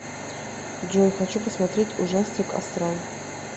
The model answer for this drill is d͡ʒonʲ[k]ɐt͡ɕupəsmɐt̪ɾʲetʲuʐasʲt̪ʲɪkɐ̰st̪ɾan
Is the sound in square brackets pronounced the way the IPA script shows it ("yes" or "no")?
no